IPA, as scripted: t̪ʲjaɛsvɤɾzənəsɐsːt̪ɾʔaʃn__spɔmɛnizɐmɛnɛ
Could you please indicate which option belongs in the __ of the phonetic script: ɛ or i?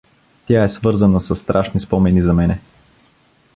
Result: i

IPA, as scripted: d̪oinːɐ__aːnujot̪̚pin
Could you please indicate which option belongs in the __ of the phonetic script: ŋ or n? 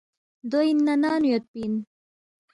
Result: n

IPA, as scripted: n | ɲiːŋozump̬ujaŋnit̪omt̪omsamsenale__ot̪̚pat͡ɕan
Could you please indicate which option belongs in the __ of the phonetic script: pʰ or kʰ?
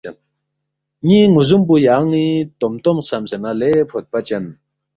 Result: pʰ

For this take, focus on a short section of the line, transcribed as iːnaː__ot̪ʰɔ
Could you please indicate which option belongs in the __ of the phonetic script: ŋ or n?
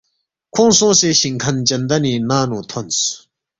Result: n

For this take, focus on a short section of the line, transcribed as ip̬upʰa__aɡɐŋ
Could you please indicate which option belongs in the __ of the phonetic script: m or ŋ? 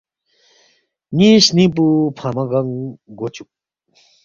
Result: m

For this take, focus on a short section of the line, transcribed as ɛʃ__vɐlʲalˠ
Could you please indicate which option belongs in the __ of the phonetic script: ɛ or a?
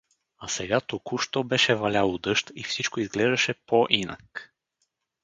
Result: ɛ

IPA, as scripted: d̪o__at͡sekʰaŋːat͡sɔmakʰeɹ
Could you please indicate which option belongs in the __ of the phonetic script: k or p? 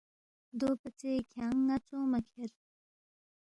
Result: p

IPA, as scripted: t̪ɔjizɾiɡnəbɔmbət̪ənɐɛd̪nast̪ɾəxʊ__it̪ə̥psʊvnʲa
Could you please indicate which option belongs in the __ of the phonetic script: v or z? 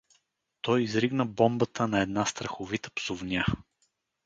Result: v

